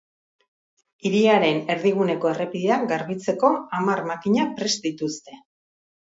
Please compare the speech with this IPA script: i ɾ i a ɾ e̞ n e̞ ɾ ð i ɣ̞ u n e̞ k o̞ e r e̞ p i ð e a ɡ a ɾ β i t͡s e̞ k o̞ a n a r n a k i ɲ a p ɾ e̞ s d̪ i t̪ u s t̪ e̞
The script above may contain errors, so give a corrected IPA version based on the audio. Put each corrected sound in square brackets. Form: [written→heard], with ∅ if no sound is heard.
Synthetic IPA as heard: i ɾ i a ɾ e̞ n e̞ ɾ ð i ɣ̞ u n e̞ k o̞ e r e̞ p i ð e a ɡ a ɾ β i t͡s e̞ k o̞ a [n→m] a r [n→m] a k i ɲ a p ɾ e̞ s d̪ i t̪ u s t̪ e̞